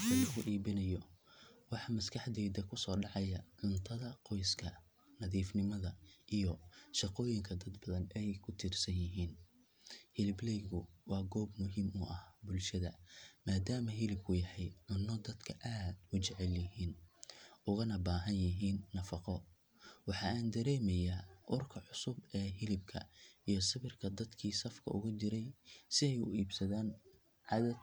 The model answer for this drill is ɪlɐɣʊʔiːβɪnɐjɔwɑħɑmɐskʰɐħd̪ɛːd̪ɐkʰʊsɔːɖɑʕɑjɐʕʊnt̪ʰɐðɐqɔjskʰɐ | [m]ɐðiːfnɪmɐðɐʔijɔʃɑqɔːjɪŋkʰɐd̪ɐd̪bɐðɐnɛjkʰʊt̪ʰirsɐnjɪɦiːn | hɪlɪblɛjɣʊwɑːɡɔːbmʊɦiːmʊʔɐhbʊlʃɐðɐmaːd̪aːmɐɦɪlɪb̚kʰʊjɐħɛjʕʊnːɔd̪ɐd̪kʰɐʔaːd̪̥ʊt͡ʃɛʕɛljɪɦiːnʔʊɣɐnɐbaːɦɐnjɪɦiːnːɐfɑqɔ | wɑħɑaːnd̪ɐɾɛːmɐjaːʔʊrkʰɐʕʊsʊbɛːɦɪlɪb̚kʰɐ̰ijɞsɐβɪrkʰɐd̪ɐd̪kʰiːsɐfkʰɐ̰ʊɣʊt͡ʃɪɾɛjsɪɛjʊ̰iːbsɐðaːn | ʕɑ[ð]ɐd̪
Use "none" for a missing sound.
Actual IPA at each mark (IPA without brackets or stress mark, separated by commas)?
n, ð